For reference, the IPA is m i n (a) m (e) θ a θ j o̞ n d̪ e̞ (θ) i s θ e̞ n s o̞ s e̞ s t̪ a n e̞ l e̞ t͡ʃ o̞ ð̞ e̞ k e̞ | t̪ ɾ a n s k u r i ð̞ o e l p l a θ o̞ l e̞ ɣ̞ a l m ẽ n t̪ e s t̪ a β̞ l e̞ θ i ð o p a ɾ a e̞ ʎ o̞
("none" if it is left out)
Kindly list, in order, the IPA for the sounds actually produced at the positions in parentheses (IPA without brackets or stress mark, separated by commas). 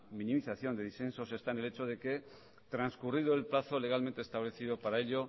i, i, ð